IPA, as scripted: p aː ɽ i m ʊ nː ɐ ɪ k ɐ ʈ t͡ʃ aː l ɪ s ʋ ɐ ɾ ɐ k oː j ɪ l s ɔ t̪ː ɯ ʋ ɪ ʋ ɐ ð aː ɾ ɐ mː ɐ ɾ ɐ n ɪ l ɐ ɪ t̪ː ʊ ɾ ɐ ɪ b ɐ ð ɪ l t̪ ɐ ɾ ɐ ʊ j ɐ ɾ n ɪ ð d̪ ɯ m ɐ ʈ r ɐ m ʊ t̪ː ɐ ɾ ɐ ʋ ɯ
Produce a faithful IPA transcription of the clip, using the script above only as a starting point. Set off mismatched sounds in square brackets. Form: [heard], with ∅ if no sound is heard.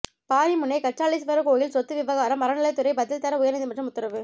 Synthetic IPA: p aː [ɾ] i m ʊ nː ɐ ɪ k ɐ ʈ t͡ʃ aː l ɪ s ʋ ɐ ɾ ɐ k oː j ɪ l s ɔ t̪ː ɯ ʋ ɪ ʋ ɐ [ɣ] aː ɾ ɐ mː ɐ ɾ ɐ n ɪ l ɐ ɪ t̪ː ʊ ɾ ɐ ɪ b ɐ ð ɪ l t̪ ɐ ɾ ɐ ʊ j ɐ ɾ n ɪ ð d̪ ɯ m ɐ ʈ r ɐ m ʊ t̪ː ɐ ɾ ɐ ʋ ɯ